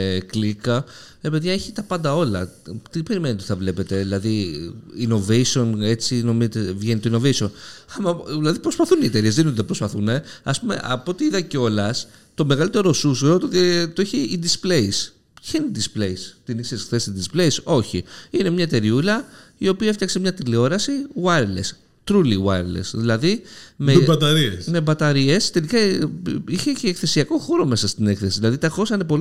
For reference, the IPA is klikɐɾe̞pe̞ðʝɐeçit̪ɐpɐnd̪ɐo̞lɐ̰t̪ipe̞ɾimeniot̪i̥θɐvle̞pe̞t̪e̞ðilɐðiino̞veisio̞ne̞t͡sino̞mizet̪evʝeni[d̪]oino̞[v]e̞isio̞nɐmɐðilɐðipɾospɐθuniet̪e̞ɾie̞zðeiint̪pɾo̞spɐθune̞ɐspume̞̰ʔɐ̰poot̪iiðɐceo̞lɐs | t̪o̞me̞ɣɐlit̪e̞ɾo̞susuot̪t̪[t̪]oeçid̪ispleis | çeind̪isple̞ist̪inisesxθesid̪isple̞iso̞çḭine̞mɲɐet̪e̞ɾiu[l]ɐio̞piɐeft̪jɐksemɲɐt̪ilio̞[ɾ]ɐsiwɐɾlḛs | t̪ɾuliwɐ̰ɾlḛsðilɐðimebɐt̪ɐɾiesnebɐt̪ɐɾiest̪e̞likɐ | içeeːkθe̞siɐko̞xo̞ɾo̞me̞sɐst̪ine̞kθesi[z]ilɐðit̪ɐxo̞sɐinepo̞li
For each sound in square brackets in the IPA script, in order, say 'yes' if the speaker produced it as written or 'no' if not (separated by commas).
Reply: no, yes, yes, yes, yes, no